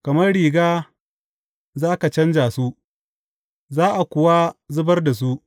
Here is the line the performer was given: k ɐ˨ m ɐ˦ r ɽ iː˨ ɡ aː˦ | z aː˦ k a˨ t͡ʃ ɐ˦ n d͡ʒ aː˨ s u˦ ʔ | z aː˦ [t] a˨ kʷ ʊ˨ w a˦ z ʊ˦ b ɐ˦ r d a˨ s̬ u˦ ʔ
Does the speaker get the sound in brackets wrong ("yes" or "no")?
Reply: yes